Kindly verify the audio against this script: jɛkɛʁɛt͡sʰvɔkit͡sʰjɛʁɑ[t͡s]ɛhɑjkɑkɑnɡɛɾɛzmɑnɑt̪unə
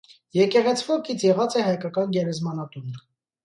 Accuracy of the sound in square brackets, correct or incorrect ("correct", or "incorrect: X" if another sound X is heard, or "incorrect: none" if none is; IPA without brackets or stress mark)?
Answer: correct